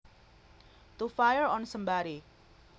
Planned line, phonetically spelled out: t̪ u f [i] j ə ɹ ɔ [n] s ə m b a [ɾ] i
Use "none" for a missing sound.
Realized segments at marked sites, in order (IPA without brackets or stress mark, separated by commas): a, n, ɾ